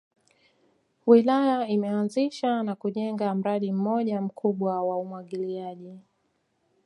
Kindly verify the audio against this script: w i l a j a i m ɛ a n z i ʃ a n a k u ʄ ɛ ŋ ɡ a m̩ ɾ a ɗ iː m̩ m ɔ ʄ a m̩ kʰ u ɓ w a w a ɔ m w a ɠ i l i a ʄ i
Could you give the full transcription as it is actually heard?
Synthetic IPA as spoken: w i l a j a i m ɛ a n z i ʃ a n a k u ʄ ɛ ŋ ɡ a m̩ ɾ a ɗ i m̩ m ɔ ʄ a m̩ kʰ u ɓ w a w a u m w a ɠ i l i a ʄ i